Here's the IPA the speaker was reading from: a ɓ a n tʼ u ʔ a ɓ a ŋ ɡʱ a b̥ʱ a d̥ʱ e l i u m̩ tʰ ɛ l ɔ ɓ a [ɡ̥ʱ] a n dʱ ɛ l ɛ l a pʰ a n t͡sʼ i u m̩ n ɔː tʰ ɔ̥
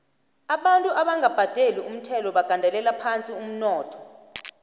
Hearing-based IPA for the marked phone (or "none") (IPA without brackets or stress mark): ɡ̥ʱ